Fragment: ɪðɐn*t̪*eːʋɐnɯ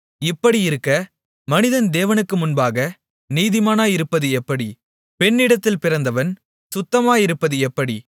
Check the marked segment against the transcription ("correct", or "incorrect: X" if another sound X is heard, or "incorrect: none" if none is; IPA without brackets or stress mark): incorrect: d̪